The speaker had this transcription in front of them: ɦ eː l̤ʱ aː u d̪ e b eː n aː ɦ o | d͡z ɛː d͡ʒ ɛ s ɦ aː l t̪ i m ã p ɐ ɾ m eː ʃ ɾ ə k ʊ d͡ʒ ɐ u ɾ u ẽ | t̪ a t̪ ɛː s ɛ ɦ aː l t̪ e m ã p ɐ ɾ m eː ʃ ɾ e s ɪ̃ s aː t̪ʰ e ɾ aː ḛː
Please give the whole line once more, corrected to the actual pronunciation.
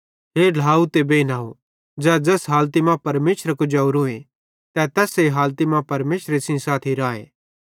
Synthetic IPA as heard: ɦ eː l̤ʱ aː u t̪ e b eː n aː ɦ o | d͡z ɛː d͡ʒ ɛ s ɦ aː l t̪ i m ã p ɐ ɾ m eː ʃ ɾ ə k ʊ d͡ʒ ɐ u ɾ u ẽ | t̪ ɛ t̪ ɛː s e ɦ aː l t̪ i m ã p ɐ ɾ m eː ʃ ɾ e s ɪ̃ s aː t̪ʰ i ɾ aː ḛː